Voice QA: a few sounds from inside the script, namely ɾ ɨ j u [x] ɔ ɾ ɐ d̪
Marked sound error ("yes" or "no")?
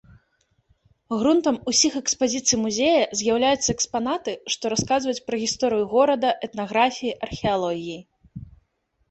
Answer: yes